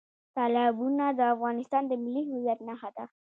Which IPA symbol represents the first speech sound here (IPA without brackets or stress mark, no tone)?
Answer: t̪